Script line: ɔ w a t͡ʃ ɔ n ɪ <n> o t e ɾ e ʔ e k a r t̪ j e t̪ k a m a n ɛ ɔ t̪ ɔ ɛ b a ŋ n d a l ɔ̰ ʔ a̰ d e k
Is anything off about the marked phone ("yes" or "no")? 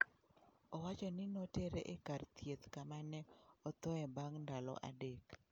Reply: no